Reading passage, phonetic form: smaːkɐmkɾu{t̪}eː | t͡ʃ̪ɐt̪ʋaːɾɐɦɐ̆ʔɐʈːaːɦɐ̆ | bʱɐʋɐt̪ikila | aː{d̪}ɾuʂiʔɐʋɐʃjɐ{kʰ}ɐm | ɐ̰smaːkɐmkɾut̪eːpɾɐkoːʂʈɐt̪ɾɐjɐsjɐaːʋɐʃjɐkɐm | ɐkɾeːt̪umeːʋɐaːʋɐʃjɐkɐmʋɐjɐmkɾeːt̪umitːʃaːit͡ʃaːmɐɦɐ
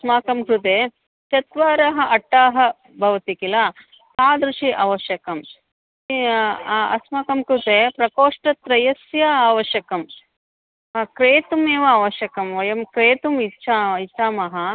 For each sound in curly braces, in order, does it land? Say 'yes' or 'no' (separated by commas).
yes, yes, no